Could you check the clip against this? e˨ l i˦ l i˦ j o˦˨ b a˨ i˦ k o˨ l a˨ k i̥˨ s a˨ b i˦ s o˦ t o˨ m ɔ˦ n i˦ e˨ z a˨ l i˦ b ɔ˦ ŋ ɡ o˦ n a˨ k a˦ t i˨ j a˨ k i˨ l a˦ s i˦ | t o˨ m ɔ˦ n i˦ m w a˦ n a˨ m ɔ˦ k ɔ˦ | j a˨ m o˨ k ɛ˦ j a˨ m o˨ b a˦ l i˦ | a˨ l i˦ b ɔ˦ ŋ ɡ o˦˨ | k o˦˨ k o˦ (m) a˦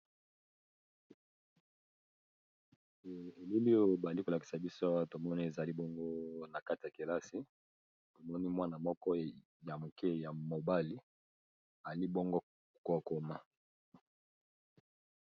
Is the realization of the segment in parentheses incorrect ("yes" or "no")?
no